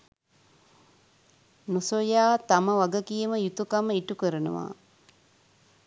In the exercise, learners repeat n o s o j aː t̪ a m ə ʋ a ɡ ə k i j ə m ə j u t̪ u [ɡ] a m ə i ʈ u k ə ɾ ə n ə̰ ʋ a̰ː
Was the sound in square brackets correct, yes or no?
no